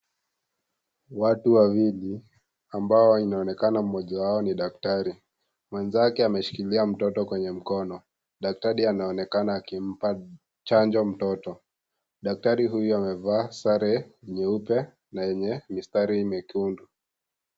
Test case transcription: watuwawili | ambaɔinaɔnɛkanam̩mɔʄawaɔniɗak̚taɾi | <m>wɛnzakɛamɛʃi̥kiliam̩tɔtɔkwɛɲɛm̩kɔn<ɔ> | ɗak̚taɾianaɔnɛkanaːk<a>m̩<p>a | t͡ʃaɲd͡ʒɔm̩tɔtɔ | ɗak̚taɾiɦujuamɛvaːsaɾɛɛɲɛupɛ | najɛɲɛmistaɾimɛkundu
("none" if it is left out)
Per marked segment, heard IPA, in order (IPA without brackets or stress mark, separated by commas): m, ɔ, i, p